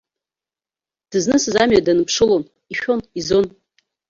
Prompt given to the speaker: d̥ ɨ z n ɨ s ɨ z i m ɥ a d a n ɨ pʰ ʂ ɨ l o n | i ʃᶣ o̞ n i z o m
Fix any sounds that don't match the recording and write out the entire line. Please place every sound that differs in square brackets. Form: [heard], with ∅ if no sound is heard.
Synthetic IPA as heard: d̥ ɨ z n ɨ s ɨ z [a] m ɥ a d a n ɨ pʰ ʂ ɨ l o n | i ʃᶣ o̞ n i z o [n]